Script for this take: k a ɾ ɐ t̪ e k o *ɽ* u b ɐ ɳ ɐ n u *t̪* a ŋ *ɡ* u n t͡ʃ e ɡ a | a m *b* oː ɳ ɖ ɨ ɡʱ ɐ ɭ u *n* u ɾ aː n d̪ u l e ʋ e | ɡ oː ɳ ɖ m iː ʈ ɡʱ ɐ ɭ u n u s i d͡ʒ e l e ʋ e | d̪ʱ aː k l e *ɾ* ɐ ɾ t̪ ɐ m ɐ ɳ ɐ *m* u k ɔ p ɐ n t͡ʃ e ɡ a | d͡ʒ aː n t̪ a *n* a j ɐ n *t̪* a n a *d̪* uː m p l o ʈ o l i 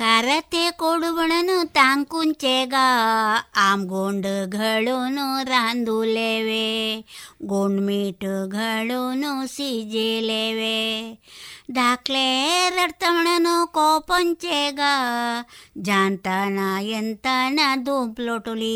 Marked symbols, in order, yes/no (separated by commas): yes, yes, no, no, yes, yes, no, yes, yes, yes